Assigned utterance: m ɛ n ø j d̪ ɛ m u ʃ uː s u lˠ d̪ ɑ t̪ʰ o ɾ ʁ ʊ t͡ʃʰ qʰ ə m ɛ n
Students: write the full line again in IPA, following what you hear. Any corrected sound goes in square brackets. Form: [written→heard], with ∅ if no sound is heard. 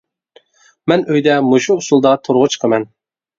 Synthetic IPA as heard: m ɛ n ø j d̪ ɛ m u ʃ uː s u lˠ d̪ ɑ t̪ʰ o ɾ ʁ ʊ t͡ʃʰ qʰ ə m ɛ n